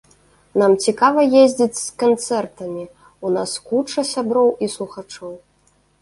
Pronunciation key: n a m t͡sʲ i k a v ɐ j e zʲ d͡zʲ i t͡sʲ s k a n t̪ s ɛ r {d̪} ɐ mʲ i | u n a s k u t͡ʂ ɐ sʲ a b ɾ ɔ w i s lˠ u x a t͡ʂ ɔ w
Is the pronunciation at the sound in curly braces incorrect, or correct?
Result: incorrect